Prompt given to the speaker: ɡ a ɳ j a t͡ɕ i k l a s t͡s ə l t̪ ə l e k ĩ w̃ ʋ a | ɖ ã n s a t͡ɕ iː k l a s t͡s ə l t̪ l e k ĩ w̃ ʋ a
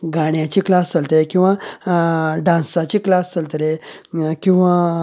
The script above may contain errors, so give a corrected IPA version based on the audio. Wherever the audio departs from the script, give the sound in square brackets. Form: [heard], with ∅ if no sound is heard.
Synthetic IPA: ɡ a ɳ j a t͡ɕ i k l a s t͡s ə l t̪ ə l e k ĩ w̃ ʋ a | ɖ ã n s a t͡ɕ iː k l a s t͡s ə l t̪ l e k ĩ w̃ ʋ a

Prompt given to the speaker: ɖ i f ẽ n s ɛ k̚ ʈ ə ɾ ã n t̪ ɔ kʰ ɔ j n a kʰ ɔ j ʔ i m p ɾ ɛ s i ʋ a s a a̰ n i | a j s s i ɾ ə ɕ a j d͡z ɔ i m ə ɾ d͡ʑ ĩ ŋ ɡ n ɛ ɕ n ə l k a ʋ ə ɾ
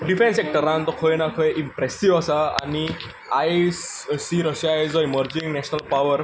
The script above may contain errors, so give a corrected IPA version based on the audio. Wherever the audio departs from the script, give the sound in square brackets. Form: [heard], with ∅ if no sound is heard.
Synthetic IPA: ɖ i f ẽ n s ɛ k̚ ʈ ə ɾ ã n t̪ ɔ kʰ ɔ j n a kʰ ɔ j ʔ i m p ɾ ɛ s i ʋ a s a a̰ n i | a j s s i ɾ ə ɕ a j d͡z ɔ i m ə ɾ d͡ʑ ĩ ŋ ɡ n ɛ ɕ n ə l [p] a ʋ ə ɾ

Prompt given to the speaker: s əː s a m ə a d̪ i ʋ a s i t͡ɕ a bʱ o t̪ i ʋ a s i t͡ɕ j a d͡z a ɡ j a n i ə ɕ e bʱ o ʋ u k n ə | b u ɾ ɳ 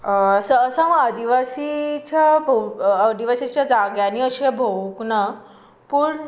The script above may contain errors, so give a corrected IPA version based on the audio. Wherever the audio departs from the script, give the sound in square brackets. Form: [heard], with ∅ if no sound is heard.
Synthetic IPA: s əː s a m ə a d̪ i ʋ a s i t͡ɕ a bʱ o [d̪] i ʋ a s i t͡ɕ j a d͡z a ɡ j a n i ə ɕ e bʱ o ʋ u k n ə | [p] u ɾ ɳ

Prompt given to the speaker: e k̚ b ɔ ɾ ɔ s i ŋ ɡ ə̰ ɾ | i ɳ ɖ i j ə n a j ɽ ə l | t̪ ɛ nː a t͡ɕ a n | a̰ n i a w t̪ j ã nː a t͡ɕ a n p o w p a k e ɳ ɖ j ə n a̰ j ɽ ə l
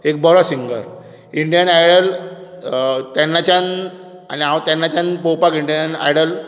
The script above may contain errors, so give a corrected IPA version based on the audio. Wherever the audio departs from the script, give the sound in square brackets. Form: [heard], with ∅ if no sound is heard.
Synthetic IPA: e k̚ b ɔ ɾ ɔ s i ŋ ɡ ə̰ ɾ | i ɳ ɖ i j ə n a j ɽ ə l | t̪ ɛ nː a t͡ɕ a n | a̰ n i a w t̪ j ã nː a t͡ɕ a n p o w p a k [i] ɳ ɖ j ə n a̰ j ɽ ə l

